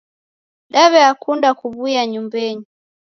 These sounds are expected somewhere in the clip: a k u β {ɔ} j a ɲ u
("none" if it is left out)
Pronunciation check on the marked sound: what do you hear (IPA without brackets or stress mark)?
u